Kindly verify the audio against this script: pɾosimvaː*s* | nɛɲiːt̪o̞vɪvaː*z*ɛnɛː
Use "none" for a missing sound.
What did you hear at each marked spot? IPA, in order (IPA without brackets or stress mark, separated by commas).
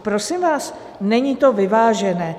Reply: s, ʒ